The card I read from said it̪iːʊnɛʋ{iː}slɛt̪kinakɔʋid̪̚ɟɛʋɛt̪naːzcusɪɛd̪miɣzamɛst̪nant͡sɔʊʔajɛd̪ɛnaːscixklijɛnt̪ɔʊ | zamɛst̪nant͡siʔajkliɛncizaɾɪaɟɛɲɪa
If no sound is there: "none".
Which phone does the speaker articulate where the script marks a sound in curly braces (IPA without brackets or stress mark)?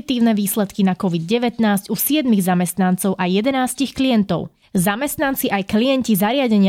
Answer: iː